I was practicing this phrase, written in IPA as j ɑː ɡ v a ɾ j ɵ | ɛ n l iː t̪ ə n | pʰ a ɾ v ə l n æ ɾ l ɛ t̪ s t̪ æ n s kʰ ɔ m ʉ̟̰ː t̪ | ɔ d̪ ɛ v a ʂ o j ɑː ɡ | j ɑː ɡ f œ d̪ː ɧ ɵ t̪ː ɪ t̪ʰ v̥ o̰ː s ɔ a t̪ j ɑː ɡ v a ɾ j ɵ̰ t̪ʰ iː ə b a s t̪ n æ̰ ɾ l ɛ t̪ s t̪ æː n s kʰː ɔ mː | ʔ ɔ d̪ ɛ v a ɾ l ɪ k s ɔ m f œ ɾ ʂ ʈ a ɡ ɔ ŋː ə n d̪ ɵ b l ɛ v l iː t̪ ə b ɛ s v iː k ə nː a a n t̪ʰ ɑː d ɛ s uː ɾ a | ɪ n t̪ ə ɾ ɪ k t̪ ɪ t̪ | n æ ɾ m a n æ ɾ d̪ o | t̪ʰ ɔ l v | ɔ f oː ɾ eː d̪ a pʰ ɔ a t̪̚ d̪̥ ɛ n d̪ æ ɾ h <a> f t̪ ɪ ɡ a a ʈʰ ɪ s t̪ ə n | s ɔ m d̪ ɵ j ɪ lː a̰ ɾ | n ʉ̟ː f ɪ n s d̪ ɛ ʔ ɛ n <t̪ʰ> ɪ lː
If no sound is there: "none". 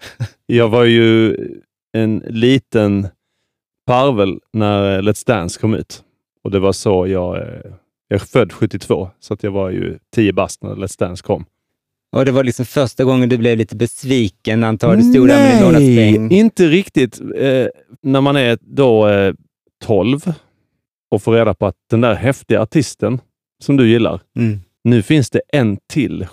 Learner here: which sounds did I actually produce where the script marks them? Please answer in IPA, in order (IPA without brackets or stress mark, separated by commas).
ɛ, t̪ʰ